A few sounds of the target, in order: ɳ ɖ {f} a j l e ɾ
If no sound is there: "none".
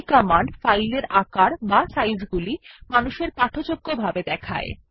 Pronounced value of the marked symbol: f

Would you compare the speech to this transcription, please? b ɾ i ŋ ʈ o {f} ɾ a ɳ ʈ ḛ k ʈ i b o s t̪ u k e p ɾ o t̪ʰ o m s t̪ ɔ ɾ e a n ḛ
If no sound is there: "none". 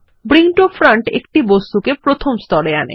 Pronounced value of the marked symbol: f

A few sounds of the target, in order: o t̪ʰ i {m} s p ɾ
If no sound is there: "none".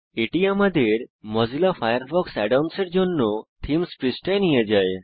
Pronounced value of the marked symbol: m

